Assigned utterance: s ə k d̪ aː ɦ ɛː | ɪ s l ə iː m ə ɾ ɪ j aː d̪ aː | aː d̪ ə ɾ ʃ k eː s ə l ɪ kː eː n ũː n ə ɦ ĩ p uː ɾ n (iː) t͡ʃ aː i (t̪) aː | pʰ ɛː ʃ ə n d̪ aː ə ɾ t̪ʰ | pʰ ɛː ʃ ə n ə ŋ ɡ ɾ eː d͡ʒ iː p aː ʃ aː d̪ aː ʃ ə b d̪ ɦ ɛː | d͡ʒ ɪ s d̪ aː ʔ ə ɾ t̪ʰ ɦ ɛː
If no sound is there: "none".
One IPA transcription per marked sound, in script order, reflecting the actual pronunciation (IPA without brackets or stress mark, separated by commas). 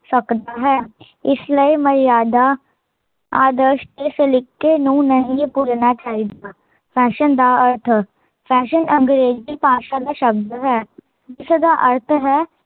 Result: aː, d̪